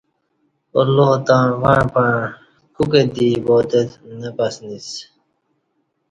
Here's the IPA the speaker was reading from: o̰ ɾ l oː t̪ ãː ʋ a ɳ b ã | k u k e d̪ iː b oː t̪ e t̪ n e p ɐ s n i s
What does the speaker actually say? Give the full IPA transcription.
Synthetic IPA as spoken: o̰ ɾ l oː t̪ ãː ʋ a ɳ p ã | k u k e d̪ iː b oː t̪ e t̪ n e p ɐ s n i s